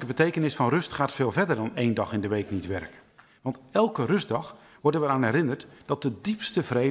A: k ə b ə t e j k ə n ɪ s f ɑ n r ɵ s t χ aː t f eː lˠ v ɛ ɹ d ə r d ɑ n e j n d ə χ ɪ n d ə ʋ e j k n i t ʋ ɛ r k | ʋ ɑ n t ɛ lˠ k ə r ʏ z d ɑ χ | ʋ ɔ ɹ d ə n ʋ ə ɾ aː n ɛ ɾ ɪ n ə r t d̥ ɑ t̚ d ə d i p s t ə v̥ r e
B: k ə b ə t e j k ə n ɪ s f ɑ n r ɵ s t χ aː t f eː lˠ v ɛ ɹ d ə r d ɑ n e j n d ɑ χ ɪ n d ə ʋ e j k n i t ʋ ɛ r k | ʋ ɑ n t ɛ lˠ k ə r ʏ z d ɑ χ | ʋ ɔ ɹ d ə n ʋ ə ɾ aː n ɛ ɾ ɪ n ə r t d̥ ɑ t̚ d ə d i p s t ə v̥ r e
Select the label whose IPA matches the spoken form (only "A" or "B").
B